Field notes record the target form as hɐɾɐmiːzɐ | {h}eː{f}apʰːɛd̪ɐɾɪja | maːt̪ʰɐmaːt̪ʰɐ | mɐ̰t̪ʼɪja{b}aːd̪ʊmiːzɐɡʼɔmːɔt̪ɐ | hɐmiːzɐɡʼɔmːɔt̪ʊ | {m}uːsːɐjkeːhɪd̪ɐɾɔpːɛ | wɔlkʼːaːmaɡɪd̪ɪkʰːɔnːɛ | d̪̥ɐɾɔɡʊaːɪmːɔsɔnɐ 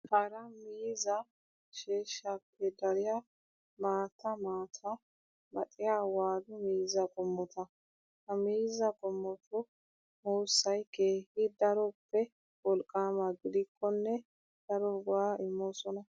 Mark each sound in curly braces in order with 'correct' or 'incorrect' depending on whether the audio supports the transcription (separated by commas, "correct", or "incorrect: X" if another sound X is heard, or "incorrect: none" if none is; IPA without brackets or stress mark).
incorrect: ʃ, incorrect: ʃ, incorrect: w, correct